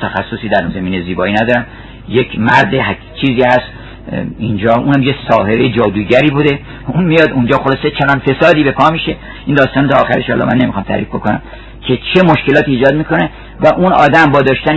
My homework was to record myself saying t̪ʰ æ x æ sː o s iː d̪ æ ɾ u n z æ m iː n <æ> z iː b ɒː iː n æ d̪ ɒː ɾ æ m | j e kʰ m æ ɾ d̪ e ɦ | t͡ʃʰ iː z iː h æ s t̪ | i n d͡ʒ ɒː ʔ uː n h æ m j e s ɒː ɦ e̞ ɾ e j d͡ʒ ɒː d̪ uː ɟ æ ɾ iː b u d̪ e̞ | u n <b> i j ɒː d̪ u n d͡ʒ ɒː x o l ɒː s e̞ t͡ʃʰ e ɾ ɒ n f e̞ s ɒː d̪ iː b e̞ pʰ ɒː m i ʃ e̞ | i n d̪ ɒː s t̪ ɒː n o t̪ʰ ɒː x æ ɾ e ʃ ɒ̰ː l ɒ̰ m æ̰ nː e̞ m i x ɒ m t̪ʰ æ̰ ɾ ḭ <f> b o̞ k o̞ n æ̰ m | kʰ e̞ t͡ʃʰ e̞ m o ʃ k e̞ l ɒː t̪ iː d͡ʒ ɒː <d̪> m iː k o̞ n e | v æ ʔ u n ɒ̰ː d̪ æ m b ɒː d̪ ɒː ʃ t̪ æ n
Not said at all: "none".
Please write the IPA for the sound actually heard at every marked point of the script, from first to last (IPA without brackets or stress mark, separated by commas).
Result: e, m, f, d̪